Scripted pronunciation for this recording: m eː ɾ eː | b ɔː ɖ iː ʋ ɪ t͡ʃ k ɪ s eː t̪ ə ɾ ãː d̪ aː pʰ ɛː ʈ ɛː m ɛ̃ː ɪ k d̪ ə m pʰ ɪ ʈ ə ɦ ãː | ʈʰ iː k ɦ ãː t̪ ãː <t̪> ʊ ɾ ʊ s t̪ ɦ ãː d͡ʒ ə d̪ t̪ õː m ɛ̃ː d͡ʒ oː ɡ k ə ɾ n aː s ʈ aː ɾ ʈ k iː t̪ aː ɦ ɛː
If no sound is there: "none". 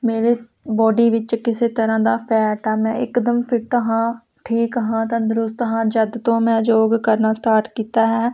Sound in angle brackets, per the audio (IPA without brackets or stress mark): d̪